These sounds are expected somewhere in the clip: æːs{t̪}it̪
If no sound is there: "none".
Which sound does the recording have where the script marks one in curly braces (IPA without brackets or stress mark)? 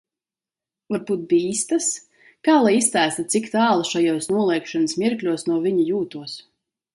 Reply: t̪